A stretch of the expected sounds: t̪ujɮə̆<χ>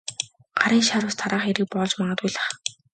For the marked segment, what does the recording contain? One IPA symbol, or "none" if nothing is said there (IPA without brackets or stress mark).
χ